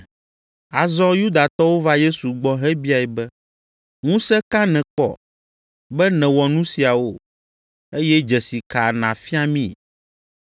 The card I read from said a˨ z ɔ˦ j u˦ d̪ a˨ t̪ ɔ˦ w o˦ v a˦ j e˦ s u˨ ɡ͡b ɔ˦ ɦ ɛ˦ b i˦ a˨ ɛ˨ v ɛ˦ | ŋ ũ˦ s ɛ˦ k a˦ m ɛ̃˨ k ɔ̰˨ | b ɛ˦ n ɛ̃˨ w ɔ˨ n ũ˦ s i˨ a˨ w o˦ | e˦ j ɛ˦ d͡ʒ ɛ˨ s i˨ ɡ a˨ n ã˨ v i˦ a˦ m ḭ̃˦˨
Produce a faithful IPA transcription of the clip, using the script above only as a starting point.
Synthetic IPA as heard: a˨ z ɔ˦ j u˦ d̪ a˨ t̪ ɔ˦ w o˦ v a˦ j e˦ s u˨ ɡ͡b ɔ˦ ɦ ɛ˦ b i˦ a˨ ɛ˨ b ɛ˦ | ŋ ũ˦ s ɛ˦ k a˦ n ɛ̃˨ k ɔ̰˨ | b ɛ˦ n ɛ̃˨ w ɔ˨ n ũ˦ s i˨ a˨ w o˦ | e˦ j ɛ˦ d͡ʒ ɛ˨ s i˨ k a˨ n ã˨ f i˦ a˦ m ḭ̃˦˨